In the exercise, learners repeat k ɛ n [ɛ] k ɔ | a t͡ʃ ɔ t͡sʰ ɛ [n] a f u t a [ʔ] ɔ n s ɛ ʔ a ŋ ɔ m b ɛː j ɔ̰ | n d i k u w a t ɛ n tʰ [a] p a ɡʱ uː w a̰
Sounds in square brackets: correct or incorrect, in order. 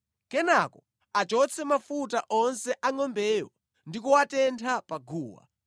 incorrect: a, incorrect: m, correct, correct

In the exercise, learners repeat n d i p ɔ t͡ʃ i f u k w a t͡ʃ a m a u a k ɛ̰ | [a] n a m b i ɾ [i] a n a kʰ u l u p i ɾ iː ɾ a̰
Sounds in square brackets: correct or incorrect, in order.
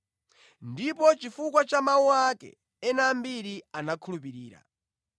incorrect: ɛ, correct

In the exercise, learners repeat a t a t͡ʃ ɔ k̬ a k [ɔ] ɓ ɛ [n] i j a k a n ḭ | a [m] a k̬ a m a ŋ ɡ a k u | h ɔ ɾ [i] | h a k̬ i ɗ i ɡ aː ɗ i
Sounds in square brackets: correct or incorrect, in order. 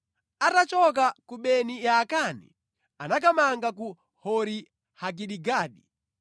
incorrect: u, correct, incorrect: n, correct

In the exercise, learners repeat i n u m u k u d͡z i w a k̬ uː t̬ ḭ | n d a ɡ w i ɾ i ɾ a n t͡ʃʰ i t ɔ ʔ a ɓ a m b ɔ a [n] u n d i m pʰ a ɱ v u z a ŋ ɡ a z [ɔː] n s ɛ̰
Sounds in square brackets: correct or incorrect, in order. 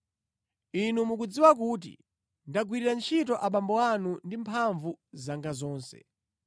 correct, correct

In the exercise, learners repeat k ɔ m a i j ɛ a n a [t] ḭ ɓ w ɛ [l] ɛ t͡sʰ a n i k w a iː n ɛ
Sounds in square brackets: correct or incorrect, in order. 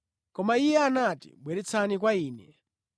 correct, incorrect: ɾ

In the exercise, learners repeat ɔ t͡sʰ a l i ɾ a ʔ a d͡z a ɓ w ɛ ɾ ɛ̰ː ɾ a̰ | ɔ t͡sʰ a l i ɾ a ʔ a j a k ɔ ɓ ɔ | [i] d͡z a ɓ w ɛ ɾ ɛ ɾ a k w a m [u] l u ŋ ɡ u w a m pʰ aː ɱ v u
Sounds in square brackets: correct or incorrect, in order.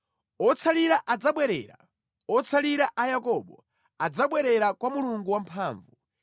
incorrect: a, correct

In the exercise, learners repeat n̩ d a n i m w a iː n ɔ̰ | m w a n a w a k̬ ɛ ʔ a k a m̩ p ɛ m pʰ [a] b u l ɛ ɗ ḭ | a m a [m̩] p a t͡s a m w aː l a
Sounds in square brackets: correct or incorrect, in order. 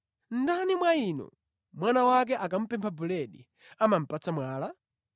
correct, correct

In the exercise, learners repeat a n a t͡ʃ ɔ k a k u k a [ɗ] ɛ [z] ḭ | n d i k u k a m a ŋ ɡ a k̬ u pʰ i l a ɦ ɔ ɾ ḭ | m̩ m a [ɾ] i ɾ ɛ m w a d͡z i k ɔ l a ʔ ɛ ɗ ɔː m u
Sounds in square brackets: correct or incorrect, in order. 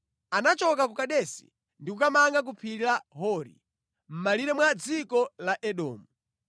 correct, incorrect: s, incorrect: l

